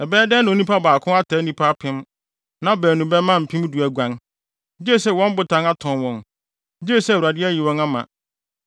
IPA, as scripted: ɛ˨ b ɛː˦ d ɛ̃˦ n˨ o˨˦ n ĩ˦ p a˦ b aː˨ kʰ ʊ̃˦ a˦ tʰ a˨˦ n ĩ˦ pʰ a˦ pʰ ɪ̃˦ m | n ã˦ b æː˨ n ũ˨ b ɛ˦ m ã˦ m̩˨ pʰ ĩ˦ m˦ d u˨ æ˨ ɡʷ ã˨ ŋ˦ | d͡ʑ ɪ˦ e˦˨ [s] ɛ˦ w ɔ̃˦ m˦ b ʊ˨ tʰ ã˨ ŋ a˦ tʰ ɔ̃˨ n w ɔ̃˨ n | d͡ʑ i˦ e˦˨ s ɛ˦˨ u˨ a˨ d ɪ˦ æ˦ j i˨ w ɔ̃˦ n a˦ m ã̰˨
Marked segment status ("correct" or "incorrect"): correct